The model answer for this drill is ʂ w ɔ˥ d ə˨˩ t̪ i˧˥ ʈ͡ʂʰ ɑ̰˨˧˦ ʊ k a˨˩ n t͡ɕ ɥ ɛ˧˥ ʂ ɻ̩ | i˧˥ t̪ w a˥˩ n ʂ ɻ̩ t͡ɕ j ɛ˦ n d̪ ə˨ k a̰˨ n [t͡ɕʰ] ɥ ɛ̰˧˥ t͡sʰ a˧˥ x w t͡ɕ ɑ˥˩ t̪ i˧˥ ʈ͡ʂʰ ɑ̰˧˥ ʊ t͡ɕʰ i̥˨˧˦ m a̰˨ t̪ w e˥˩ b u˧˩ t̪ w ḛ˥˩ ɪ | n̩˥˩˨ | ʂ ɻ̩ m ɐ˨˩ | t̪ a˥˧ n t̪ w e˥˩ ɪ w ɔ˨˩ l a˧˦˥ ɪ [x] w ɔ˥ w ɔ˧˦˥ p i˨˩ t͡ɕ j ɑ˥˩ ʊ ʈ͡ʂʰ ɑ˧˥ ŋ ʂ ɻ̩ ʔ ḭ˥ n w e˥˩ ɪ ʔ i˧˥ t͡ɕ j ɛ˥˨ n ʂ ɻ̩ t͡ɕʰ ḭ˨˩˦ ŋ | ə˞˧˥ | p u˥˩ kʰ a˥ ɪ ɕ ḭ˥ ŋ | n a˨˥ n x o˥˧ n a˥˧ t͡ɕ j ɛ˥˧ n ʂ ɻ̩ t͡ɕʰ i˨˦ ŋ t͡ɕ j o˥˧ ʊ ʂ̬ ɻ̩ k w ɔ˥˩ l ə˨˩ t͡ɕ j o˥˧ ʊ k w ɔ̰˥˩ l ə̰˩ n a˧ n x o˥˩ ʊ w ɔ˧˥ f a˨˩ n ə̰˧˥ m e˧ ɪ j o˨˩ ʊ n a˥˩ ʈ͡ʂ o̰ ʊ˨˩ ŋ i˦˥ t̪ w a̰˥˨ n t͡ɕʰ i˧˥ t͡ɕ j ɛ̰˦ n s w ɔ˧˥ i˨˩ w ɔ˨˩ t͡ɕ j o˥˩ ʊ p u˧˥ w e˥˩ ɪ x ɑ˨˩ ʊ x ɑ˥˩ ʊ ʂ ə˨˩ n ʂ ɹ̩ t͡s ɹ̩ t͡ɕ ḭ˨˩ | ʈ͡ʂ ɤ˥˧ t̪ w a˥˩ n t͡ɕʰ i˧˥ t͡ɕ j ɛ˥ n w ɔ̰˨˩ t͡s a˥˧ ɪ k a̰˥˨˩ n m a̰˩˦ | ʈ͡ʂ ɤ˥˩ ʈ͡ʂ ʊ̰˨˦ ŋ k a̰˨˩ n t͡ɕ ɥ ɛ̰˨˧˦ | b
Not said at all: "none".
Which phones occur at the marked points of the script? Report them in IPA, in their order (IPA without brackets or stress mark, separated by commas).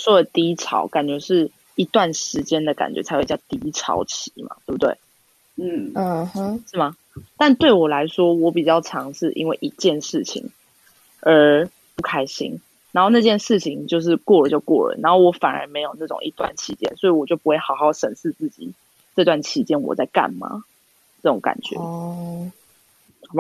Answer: t͡ɕ, ʂ